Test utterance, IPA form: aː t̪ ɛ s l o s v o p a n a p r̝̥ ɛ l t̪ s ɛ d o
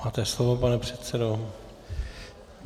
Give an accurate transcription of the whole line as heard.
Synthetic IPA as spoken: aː t̪ ɛ s l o v o p a n ɛ p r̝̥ ɛ t̪ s ɛ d o

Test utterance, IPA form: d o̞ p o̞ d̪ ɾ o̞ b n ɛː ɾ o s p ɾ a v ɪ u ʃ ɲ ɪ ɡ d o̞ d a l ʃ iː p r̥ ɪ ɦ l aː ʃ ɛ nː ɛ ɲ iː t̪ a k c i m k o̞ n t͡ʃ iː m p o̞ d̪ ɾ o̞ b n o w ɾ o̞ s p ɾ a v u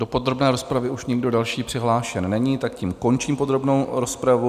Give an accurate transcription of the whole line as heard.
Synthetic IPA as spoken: d o̞ p o̞ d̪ ɾ o̞ b n ɛː ɾ o s p ɾ a v ɪ u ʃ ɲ ɪ ɡ d o̞ d a l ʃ iː p r̥ ɪ ɦ l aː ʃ ɛ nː ɛ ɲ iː t̪ a k c i m k o̞ n t͡ʃ iː m p o̞ d̪ ɾ o̞ b n o w ɾ o̞ s p ɾ a v u

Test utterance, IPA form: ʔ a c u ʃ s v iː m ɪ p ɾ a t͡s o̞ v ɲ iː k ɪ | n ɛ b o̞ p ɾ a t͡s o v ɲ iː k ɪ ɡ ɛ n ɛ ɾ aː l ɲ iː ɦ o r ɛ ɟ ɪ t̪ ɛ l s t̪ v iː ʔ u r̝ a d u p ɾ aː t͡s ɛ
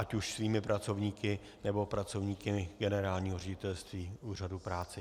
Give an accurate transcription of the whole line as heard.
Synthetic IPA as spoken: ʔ a c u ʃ s v iː m ɪ p ɾ a t͡s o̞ v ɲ iː k ɪ | n ɛ b o̞ p ɾ a t͡s o v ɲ iː k ɪ ɡ ɛ n ɛ ɾ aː l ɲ iː ɦ o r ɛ ɟ ɪ t̪ ɛ l s t̪ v iː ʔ uː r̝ a d u p ɾ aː t͡s ɛ

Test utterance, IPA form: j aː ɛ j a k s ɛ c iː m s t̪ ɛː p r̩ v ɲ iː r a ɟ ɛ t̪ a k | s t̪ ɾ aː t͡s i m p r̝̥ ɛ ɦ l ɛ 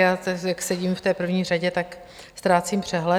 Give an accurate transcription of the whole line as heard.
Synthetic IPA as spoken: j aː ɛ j a k s ɛ ɟ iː m f t̪ ɛː p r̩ v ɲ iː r a ɟ ɛ t̪ a k | s t̪ ɾ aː t͡s i m p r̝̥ ɛ ɦ l ɛ

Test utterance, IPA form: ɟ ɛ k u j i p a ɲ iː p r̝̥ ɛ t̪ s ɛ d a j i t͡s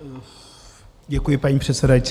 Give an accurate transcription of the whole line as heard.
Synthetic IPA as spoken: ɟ ɛ k u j ɪ p a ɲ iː p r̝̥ ɛ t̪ s ɛ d a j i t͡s

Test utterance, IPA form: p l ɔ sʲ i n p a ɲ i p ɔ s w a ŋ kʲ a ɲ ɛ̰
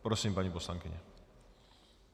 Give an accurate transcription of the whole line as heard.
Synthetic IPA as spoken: p ɾ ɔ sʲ i m p a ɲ i p ɔ s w a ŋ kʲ i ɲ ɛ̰

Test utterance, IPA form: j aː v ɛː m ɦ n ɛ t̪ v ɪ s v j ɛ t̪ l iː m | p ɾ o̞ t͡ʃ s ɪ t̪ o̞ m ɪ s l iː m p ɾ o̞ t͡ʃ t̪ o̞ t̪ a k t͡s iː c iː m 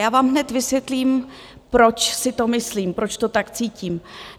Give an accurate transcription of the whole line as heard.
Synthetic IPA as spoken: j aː v aː m ɦ n ɛ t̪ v ɪ s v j ɛ t̪ l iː m | p ɾ o̞ t͡ʃ s ɪ t̪ o̞ m ɪ s l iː m p ɾ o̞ t͡ʃ t̪ o̞ t̪ a k t͡s iː c iː m

